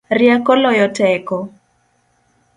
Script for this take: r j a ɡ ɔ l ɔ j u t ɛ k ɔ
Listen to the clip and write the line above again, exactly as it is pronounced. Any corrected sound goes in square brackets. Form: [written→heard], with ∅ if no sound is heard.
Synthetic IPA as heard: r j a [ɡ→k] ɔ l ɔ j [u→ɔ] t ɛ k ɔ